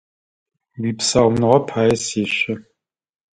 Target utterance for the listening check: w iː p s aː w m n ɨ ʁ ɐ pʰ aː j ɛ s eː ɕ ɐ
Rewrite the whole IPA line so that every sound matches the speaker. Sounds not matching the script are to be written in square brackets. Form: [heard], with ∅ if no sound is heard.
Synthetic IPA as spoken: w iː p s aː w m n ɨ ʁ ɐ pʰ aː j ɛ s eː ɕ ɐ